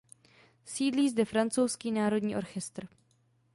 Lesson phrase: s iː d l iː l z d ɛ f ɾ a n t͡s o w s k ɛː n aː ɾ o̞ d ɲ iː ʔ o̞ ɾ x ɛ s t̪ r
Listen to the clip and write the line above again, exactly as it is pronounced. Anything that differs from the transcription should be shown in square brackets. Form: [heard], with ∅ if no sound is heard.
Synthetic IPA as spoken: s iː d l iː [∅] z d ɛ f ɾ a n t͡s o w s k [iː] n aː ɾ o̞ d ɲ iː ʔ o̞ ɾ x ɛ s t̪ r